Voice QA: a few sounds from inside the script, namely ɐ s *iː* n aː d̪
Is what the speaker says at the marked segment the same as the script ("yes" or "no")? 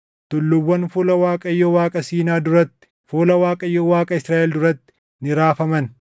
yes